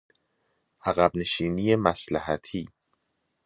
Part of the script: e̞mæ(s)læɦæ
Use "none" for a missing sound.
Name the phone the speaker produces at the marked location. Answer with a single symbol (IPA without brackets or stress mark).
s